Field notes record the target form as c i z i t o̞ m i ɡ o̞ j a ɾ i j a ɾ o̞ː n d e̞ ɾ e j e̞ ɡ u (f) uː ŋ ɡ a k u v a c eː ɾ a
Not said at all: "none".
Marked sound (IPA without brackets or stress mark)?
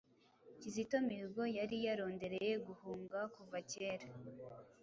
h